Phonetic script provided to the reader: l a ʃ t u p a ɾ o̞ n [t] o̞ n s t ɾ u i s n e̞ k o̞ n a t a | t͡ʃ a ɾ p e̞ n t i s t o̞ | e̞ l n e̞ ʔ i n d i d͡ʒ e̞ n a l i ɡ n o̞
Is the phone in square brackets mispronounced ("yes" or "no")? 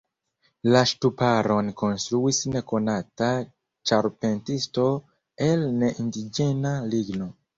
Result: yes